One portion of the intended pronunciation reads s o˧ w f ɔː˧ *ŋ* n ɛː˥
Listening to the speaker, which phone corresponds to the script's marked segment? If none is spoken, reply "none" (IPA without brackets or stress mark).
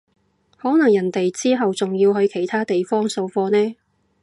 none